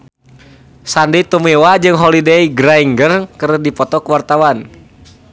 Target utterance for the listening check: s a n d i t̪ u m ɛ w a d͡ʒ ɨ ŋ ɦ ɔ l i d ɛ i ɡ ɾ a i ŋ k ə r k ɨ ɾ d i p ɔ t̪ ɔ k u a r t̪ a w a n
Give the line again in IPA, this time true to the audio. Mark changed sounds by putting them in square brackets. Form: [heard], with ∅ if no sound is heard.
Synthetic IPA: s a n d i t̪ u m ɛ w a d͡ʒ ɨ ŋ ɦ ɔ l i d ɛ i ɡ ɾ a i ŋ [ɡ] ə r k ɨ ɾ d i p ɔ t̪ ɔ k [w] a r t̪ a w a n